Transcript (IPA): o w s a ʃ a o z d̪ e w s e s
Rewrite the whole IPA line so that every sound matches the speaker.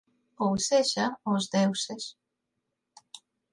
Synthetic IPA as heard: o w s e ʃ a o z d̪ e w s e s